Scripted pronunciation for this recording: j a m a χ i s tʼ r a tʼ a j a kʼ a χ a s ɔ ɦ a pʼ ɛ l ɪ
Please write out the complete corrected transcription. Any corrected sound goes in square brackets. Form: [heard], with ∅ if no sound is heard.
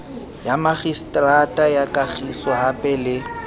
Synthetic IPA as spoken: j a m a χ i s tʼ r a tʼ a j a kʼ a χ [i] s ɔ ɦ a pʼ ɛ l ɪ